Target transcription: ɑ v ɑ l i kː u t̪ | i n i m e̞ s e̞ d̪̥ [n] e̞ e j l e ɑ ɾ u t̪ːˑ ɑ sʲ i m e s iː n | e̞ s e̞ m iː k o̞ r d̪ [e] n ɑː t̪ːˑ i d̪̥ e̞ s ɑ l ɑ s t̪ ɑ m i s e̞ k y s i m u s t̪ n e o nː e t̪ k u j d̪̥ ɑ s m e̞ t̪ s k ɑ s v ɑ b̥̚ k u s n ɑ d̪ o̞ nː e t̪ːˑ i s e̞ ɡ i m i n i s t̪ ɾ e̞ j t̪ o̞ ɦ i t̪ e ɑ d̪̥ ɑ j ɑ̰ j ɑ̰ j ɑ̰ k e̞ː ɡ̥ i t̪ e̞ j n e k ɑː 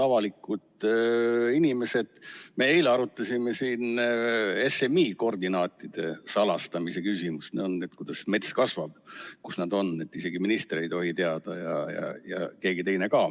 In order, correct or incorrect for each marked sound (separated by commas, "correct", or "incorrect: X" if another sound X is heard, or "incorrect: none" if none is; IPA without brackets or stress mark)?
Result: incorrect: m, incorrect: i